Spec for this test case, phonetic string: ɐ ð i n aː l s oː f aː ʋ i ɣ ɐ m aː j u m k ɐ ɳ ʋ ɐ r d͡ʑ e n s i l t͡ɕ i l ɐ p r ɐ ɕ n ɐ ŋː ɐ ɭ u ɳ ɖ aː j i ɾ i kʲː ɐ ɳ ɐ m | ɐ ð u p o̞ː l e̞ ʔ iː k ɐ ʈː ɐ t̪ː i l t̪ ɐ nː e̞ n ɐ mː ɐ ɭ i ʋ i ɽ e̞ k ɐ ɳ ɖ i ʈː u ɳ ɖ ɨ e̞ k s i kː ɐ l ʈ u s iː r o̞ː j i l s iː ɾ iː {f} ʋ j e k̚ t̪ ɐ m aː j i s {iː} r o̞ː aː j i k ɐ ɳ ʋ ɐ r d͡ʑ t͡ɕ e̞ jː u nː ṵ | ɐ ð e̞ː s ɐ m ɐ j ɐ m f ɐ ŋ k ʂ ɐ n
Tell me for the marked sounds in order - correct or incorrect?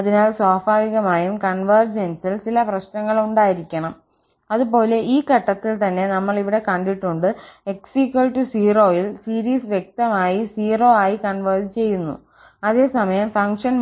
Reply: incorrect: s, correct

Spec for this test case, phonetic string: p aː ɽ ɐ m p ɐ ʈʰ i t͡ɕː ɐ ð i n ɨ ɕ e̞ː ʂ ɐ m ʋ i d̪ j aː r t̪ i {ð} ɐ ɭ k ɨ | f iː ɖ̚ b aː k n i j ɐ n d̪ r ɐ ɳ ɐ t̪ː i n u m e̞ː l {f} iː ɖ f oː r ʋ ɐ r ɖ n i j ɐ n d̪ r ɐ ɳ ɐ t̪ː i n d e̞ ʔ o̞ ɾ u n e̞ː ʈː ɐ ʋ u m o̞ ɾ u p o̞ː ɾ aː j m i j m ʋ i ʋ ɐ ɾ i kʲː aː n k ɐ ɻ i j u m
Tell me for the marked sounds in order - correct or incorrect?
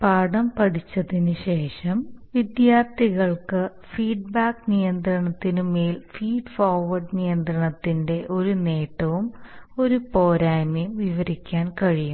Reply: incorrect: ɣ, correct

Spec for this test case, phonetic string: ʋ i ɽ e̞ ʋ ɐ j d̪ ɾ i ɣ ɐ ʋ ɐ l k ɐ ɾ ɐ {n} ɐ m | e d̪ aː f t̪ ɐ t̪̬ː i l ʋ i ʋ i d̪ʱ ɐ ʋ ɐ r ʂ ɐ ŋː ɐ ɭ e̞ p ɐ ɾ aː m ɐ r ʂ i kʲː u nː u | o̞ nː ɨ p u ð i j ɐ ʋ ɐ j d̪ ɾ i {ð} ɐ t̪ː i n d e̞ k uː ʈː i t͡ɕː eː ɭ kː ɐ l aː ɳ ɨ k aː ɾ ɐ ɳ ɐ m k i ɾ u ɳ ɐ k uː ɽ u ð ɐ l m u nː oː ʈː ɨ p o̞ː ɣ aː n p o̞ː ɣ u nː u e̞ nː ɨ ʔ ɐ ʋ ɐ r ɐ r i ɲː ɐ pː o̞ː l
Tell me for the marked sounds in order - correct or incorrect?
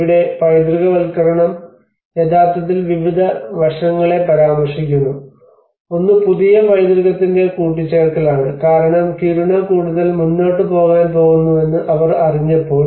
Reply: incorrect: ɳ, incorrect: ɣ

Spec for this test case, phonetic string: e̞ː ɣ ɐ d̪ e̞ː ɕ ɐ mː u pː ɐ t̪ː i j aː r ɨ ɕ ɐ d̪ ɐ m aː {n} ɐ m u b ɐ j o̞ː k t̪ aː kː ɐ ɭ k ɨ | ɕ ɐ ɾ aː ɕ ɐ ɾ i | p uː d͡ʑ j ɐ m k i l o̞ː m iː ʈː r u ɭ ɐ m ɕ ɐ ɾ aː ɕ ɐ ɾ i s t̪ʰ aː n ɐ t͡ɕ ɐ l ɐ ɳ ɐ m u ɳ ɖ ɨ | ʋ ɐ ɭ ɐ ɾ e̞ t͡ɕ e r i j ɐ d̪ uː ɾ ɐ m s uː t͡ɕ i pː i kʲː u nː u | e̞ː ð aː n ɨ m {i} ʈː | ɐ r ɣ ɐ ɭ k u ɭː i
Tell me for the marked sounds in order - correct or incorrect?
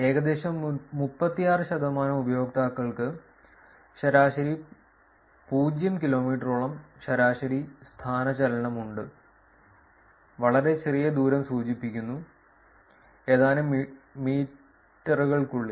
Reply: correct, incorrect: iː

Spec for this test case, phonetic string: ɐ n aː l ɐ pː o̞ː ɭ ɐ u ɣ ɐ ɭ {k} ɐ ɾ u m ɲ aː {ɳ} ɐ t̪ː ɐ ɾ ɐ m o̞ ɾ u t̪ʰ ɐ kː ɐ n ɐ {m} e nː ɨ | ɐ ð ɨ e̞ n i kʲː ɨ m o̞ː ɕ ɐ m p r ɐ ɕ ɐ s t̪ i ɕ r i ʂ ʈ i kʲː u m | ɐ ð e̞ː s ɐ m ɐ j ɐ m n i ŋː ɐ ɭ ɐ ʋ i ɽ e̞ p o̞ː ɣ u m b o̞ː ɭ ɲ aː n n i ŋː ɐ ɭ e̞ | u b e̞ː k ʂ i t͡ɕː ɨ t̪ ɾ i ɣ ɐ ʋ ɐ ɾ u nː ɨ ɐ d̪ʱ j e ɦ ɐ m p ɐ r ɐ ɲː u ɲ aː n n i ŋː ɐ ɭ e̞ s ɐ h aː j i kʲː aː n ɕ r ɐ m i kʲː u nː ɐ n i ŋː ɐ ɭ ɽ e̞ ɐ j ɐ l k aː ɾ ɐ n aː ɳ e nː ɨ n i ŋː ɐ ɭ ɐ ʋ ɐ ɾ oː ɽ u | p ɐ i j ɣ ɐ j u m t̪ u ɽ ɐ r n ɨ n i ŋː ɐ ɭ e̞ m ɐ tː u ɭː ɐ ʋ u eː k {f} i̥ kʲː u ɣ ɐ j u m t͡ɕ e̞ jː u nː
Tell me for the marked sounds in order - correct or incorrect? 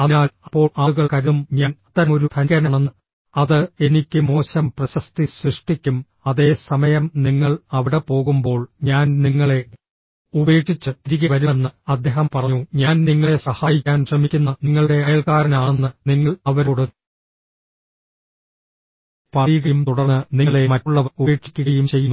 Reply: correct, incorrect: n, incorrect: ɳ, incorrect: ʂ

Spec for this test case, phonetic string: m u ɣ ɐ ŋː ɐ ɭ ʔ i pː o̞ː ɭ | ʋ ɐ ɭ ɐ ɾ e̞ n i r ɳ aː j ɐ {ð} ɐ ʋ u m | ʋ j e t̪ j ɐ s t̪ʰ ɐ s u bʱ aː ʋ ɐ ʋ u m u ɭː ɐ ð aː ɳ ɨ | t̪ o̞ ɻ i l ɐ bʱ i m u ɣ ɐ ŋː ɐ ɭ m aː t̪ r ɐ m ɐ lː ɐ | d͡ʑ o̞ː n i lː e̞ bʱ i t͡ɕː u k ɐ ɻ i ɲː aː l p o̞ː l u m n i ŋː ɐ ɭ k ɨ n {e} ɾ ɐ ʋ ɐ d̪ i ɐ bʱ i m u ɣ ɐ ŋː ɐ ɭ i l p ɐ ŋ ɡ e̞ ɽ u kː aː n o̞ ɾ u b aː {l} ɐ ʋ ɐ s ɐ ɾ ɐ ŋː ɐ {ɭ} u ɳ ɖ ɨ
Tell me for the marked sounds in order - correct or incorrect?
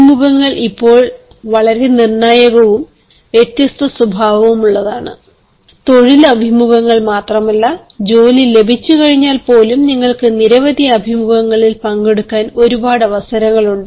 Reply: incorrect: ɣ, incorrect: i, incorrect: ɽ, correct

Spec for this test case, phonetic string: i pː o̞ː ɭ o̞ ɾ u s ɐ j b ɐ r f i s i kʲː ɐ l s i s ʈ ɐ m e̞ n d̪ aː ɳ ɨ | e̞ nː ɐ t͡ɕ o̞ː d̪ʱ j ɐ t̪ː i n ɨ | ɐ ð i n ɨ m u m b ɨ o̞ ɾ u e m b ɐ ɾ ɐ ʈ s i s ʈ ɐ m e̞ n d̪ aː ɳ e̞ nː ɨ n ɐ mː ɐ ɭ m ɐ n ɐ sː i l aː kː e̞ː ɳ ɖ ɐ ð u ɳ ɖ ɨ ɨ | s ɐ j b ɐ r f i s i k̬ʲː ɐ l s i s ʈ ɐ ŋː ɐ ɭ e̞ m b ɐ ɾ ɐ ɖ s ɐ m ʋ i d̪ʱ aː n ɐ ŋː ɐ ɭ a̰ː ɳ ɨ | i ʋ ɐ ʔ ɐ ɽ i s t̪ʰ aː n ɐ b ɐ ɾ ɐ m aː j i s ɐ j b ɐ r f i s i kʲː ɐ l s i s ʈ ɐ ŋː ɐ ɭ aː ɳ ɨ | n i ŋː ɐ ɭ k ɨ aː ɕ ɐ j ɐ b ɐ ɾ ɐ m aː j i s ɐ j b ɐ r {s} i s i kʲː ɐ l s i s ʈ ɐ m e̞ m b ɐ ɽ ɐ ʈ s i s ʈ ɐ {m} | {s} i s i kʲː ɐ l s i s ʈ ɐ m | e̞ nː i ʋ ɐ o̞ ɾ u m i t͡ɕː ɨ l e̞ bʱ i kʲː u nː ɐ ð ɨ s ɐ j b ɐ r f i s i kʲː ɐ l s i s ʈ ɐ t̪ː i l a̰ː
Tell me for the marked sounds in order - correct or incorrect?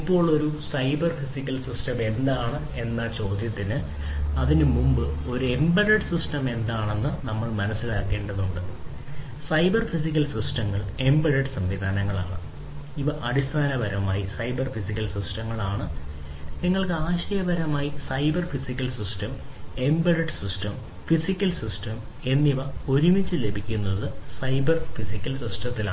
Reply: incorrect: f, correct, incorrect: f

